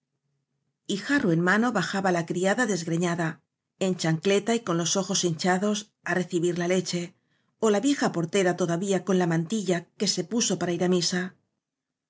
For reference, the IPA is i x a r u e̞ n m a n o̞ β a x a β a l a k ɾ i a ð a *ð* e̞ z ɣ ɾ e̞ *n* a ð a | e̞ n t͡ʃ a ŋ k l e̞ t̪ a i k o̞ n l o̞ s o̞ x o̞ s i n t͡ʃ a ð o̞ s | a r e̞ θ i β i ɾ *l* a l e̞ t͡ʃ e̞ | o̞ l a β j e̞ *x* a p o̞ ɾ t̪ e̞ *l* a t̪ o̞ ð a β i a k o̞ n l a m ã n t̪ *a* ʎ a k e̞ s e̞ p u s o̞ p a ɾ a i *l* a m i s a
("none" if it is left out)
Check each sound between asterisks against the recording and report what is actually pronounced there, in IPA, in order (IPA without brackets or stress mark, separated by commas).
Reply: ð, ɲ, l, x, ɾ, i, ɾ